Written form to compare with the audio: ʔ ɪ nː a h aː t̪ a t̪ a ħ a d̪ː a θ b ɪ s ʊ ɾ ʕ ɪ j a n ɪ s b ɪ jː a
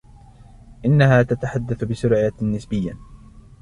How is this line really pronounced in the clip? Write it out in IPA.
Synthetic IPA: ʔ ɪ nː a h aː t̪ a t̪ a ħ a d̪ː a θ b ɪ s ʊ ɾ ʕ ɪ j a n ɪ s b ɪ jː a